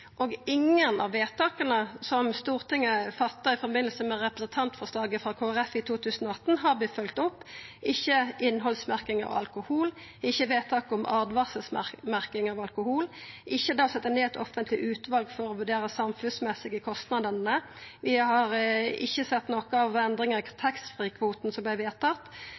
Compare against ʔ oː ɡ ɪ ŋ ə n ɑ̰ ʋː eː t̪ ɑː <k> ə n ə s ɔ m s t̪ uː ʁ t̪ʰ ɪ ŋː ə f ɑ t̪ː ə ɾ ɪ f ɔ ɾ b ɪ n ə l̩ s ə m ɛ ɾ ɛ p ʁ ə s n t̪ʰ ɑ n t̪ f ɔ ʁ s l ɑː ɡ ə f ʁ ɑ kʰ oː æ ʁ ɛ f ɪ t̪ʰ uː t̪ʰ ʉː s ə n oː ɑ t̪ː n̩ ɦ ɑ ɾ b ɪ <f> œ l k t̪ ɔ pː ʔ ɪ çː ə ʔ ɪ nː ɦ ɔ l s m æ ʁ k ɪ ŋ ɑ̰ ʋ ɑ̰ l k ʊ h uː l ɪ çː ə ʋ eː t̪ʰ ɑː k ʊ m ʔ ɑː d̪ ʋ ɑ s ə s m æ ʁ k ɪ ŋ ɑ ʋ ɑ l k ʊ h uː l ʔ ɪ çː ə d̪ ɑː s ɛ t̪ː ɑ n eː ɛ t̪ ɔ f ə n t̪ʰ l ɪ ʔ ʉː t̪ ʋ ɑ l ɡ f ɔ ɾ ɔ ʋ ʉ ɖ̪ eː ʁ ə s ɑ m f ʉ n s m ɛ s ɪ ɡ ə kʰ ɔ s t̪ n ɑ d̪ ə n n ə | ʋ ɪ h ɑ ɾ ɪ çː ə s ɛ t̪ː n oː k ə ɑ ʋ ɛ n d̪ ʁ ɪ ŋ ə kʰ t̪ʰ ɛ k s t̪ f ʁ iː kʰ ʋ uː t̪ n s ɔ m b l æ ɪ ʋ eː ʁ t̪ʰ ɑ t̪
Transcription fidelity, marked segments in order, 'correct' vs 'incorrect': correct, correct

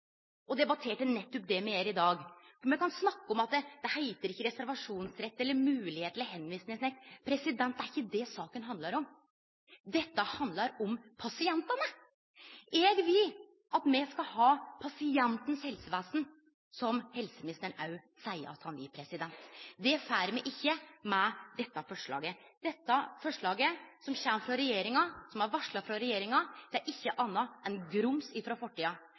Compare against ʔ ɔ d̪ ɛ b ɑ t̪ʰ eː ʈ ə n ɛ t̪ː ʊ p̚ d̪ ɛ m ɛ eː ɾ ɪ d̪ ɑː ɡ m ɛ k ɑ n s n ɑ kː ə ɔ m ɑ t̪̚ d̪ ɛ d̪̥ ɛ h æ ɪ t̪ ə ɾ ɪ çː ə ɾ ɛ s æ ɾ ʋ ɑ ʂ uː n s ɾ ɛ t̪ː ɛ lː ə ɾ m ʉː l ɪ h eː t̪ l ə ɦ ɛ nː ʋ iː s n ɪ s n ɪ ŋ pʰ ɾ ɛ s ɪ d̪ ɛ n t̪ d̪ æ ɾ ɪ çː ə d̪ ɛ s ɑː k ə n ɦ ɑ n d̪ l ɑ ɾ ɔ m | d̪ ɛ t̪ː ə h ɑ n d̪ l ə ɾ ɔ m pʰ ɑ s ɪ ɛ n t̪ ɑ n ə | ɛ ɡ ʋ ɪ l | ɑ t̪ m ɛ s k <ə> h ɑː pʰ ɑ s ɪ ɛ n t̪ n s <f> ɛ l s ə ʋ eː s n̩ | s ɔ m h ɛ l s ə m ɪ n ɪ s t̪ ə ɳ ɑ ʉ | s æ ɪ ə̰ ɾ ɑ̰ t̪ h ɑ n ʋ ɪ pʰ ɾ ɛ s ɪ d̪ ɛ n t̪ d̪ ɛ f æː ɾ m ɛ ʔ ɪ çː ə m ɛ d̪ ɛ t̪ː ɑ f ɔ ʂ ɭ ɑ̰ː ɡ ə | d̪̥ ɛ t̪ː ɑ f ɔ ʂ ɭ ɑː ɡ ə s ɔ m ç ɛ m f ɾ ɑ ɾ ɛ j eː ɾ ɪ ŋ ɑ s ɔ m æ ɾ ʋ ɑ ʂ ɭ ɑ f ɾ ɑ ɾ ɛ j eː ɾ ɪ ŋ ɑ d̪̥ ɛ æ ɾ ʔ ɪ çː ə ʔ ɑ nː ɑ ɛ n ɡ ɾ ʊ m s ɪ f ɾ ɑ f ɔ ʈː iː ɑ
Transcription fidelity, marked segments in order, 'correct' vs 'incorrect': incorrect: ɑ, incorrect: h

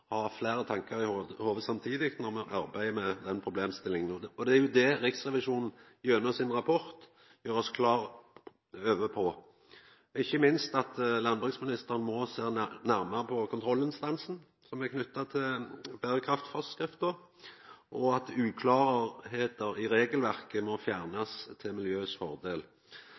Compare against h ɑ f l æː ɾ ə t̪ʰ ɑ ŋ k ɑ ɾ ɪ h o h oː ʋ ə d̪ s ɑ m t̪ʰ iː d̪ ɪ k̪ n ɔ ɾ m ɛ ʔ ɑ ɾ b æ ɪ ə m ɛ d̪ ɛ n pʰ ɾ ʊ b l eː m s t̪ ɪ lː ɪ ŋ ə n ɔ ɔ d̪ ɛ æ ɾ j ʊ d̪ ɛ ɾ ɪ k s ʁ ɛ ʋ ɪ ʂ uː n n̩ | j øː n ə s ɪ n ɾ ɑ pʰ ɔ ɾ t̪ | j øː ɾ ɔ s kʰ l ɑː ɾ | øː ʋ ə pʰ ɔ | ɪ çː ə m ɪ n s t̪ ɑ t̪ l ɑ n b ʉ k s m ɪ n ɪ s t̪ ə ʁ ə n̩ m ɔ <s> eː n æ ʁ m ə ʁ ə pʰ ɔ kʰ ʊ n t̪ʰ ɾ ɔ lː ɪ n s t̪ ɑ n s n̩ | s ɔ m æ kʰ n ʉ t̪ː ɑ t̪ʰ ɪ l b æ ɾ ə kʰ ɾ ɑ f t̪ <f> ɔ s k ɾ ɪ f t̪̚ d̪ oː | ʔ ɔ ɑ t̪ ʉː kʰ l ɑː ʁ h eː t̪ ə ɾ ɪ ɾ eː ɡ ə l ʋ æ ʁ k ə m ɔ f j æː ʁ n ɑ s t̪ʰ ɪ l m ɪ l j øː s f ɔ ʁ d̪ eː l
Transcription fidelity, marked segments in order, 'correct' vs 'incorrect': correct, correct

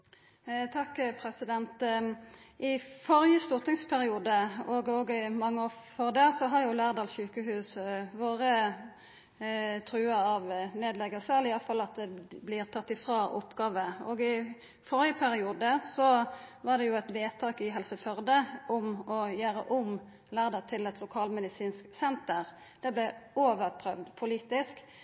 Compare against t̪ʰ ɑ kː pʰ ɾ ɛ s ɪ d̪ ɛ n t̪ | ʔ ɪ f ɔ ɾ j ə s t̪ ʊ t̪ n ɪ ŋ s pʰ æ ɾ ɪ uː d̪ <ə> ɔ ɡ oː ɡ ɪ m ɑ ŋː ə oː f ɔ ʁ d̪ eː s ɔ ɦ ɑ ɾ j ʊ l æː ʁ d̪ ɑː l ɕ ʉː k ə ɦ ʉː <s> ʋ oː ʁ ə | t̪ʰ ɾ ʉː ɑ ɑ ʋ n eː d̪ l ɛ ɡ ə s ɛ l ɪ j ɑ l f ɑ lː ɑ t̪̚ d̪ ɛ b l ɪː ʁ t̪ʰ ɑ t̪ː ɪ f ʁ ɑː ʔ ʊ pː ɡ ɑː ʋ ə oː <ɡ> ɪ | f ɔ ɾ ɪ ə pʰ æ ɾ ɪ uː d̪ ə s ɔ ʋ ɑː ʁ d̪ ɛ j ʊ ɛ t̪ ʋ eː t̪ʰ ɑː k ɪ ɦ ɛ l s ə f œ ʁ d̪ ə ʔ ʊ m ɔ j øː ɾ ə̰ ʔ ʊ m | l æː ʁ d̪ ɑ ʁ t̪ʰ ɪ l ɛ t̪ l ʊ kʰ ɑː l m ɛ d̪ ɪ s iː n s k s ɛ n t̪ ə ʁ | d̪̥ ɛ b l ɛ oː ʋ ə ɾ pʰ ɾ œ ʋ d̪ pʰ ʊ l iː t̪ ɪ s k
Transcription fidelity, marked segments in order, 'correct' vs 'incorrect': correct, correct, correct

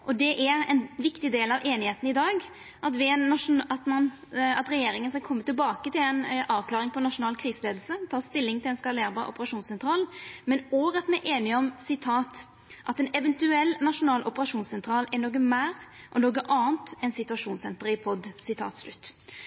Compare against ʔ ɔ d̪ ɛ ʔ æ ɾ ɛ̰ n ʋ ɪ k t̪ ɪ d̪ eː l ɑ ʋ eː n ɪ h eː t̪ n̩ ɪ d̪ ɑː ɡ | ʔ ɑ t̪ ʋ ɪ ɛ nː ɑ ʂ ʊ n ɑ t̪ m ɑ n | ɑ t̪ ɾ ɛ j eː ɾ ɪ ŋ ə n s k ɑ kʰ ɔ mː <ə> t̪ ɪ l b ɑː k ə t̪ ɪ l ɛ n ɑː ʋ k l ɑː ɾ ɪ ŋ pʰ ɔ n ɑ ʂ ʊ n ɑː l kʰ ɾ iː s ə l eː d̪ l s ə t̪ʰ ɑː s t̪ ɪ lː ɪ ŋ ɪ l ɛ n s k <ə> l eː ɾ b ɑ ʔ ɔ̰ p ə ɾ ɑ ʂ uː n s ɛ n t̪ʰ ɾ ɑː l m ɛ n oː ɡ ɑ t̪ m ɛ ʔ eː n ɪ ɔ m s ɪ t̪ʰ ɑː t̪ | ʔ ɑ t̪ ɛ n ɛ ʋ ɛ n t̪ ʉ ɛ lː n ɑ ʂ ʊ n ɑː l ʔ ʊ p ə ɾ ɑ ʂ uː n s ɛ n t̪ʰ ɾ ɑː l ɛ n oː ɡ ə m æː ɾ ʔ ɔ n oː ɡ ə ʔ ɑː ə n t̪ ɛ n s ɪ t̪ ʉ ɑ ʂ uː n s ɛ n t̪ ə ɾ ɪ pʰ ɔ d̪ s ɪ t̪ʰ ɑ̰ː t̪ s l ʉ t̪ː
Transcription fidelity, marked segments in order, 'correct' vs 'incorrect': correct, incorrect: ɑ

